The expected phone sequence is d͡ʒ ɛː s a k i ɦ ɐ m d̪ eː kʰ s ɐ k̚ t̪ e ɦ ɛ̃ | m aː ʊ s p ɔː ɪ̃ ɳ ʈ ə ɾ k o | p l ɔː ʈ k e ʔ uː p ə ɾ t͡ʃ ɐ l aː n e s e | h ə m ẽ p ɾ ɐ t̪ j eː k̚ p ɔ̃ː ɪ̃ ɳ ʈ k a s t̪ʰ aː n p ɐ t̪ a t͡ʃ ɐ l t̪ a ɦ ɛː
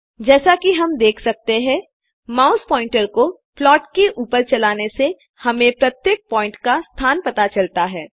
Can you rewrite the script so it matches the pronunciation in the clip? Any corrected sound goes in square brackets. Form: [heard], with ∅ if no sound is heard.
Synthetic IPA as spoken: d͡ʒ ɛː s a k i ɦ ɐ m d̪ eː kʰ s ɐ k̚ t̪ e ɦ ɛ̃ | m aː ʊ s p ɔː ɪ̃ ɳ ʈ ə ɾ k o | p l ɔː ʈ k e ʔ uː p ə ɾ t͡ʃ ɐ l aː n e s e | h [ɐ] m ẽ p ɾ ɐ t̪ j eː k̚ p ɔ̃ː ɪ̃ ɳ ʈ k a s t̪ʰ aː n p ɐ t̪ a t͡ʃ ɐ l t̪ a ɦ ɛː